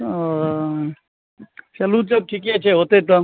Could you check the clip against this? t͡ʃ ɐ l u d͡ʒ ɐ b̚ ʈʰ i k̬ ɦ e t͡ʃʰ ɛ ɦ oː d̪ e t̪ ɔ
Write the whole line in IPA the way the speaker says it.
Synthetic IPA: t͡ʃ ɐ l u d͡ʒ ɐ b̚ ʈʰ i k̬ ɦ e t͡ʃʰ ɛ ɦ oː t̪ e t̪ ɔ

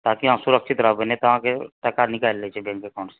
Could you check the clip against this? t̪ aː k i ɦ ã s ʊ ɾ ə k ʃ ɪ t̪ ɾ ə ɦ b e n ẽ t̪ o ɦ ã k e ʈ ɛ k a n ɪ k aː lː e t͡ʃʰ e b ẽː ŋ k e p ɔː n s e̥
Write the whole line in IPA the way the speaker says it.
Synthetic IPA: t̪ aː k i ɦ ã s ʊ ɾ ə k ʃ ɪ t̪ ɾ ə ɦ b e n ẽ t̪ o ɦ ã k e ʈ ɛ k a n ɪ k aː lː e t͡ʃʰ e b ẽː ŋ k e k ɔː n s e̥

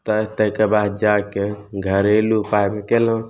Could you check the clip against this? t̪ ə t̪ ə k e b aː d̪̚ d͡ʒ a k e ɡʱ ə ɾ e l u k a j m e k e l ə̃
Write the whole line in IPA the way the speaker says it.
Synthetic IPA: t̪ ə t̪ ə k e b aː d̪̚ d͡ʒ a k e ɡʱ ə ɾ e l u p a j m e k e l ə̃

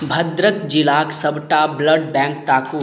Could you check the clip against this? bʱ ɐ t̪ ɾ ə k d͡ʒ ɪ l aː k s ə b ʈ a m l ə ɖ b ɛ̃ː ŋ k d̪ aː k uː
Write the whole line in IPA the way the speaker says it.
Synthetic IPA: bʱ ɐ d̪ ɾ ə k d͡ʒ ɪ l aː k s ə b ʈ a b l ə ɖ b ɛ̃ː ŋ k t̪ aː k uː

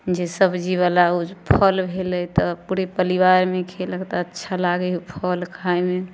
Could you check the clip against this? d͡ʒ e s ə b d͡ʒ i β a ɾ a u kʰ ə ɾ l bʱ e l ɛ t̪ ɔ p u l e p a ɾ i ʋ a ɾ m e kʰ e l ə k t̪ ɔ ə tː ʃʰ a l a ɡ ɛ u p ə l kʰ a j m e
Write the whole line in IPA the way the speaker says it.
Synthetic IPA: d͡ʒ e s ə b d͡ʒ i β a l a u pʰ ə l bʱ e l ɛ t̪ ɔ p u ɾ e p ə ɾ i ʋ a ɾ m e kʰ e l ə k t̪ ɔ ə tː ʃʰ a l a ɡ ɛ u pʰ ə l kʰ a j m e

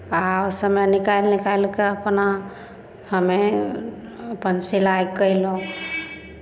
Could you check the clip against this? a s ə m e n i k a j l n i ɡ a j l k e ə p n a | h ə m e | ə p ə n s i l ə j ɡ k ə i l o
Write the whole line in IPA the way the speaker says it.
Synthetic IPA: a s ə m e n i k a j l n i k a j l k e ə p n a | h ə m e | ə p ə n s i l a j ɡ k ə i l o

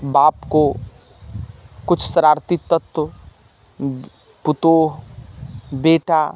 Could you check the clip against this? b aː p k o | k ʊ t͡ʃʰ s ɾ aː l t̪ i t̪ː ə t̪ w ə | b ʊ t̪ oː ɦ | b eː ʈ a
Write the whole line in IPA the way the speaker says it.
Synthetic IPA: b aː p k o | k ʊ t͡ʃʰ s ɾ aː ɾ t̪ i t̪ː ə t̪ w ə | p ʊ t̪ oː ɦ | b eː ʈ a

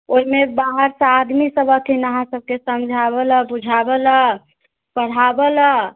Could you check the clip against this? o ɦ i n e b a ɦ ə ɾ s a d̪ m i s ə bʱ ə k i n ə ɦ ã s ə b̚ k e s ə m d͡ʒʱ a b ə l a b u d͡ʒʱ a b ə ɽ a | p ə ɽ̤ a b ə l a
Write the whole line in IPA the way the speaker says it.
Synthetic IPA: o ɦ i m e b a ɦ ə ɾ s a d̪ m i s ə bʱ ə k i n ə ɦ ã s ə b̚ k e s ə m d͡ʒʱ a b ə l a b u d͡ʒʱ a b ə l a | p ə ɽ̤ a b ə l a

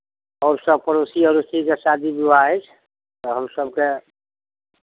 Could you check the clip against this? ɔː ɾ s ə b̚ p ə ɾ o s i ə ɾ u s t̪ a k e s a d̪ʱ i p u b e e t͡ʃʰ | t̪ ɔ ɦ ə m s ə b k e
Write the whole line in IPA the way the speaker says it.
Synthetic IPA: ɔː ɾ s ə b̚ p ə ɾ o s i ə ɾ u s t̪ i k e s a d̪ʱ i b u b a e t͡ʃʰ | t̪ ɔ ɦ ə m s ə b k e

